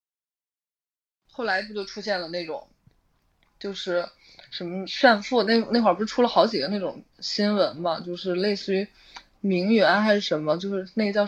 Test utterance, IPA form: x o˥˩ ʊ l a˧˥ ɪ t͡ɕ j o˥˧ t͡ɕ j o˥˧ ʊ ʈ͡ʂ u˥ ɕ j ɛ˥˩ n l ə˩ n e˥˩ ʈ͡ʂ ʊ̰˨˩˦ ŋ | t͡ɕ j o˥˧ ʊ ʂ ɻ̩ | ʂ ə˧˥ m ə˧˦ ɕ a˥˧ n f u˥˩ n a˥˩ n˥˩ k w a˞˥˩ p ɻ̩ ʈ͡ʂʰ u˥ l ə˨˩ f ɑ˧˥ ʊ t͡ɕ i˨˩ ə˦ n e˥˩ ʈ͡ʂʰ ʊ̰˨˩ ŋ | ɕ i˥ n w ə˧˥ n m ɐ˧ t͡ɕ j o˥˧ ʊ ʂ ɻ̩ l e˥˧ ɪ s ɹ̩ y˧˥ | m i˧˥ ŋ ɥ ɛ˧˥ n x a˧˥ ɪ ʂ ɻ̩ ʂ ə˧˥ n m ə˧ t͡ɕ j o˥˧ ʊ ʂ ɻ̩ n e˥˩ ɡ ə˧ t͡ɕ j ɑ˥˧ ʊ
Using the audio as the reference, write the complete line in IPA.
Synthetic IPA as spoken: x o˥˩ ʊ l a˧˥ ɪ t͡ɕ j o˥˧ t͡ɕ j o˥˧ ʊ ʈ͡ʂʰ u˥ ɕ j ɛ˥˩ n l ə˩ n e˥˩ ʈ͡ʂ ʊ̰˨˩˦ ŋ | t͡ɕ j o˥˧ ʊ ʂ ɻ̩ | ʂ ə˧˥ m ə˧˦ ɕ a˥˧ n f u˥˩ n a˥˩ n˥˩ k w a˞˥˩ p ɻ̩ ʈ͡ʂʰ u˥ l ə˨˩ x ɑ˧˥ ʊ t͡ɕ i˨˩ ə˦ n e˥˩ ʈ͡ʂ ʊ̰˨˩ ŋ | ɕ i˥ n w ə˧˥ n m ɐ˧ t͡ɕ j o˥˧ ʊ ʂ ɻ̩ l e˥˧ ɪ s ɹ̩ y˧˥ | m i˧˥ ŋ ɥ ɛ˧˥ n x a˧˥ ɪ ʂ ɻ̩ ʂ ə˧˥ n m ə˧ t͡ɕ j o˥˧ ʊ ʂ ɻ̩ n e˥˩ ɡ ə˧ t͡ɕ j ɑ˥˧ ʊ